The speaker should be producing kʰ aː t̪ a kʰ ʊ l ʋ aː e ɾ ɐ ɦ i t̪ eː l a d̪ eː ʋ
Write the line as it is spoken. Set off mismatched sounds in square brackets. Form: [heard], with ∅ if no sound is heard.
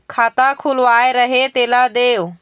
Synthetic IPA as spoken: kʰ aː t̪ a kʰ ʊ l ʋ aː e ɾ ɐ ɦ [e] t̪ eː l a d̪ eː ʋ